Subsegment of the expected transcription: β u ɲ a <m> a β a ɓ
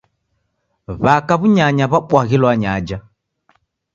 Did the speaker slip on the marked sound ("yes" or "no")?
yes